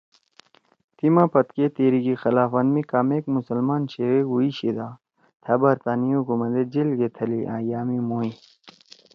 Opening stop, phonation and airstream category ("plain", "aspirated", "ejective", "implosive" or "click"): plain